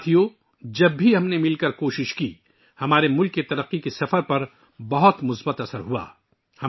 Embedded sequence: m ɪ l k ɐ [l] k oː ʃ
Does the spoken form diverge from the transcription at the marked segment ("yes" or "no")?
yes